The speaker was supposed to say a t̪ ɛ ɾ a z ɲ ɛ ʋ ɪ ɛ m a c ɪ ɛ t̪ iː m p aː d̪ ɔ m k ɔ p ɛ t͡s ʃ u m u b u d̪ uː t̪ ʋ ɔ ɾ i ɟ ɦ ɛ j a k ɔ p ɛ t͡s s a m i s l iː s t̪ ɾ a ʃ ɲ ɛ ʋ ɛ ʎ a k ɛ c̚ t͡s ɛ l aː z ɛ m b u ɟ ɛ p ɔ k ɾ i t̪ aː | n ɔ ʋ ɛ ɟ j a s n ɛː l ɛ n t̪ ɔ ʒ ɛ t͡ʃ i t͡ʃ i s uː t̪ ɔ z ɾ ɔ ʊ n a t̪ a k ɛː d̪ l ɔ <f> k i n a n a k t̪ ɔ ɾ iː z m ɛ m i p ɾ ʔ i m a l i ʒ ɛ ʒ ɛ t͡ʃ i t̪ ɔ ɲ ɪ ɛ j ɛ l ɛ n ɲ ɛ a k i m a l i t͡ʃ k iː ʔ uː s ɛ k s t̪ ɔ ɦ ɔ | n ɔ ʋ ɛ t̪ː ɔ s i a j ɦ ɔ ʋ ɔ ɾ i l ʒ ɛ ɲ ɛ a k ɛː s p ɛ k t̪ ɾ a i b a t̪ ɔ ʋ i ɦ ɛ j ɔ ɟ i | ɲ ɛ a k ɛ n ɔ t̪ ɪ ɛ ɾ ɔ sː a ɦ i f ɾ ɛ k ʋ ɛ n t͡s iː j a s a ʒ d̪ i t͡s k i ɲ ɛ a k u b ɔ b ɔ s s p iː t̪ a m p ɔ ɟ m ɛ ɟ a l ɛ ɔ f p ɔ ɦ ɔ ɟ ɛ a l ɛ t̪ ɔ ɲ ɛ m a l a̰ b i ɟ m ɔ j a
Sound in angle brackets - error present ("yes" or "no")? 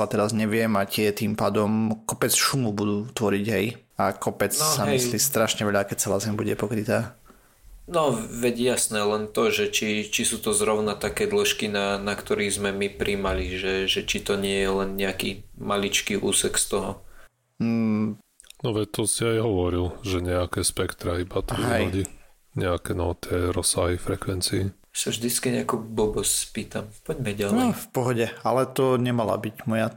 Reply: yes